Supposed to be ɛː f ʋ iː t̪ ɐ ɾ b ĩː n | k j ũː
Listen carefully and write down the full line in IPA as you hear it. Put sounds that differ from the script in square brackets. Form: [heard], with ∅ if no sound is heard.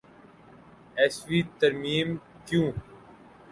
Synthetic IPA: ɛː [s] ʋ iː t̪ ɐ ɾ [m] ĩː [m] | k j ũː

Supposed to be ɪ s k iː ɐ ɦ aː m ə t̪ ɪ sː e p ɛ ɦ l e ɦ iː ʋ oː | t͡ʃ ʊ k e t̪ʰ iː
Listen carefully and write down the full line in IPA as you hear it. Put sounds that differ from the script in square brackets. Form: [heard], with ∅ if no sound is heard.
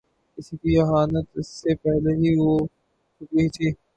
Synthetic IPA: ɪ s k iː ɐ ɦ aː [n] ə t̪ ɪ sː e p ɛ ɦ l e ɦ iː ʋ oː | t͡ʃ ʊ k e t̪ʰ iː

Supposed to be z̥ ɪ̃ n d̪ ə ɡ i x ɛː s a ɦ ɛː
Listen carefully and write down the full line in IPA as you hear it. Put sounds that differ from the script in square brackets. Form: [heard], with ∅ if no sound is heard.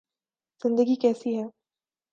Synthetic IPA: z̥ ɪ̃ n d̪ ə ɡ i [k] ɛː s [i] ɦ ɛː

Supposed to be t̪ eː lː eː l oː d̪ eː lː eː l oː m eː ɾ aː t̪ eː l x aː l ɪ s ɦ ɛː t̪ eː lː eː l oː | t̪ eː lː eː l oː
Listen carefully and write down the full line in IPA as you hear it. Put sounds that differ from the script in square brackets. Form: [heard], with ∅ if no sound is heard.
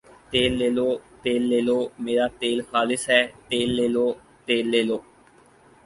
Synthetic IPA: t̪ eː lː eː l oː [t̪] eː lː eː l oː m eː ɾ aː t̪ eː l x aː l ɪ s ɦ ɛː t̪ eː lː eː l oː | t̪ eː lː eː l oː

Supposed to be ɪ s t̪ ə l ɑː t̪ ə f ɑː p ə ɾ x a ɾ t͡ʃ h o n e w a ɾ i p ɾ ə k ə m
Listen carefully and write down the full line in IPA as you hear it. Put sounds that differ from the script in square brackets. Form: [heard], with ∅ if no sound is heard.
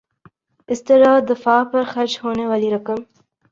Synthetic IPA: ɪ s t̪ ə [ɾ] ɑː [d̪] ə f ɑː p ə ɾ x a ɾ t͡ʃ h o n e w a [l] i [∅] ɾ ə k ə m

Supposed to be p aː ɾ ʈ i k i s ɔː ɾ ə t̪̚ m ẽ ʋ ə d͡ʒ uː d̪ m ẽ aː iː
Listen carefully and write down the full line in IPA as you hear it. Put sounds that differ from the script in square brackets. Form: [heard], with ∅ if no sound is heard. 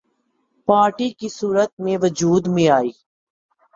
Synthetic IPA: p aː ɾ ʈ i k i s [uː] ɾ ə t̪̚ m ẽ ʋ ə d͡ʒ uː d̪ m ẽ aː iː

